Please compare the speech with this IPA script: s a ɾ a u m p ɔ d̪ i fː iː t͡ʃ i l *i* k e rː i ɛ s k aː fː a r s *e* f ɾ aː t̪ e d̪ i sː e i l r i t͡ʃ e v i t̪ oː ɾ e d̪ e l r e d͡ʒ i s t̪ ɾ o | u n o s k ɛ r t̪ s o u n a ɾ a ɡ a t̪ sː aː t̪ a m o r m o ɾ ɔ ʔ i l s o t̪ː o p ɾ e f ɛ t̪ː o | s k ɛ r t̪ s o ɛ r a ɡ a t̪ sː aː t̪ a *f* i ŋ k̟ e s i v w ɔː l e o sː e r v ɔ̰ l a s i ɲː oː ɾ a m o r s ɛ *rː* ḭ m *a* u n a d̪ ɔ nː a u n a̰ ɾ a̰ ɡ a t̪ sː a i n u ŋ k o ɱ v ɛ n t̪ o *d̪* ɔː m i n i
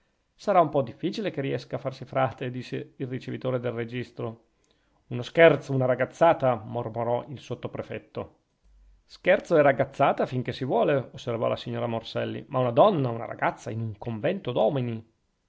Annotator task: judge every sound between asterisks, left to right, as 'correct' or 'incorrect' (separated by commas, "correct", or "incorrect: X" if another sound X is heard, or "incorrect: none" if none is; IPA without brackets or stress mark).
incorrect: e, incorrect: i, correct, incorrect: lː, correct, correct